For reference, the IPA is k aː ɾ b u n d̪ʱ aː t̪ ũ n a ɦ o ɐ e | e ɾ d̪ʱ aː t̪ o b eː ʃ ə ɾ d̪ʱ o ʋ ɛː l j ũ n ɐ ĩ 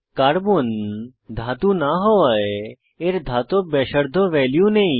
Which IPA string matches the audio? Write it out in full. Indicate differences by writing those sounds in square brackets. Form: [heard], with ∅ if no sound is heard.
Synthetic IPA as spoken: k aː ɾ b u n d̪ʱ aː t̪ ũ n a ɦ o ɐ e | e ɾ d̪ʱ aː t̪ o b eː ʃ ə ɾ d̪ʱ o ʋ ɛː l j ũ n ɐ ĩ